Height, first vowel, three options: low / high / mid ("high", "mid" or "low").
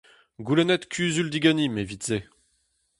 high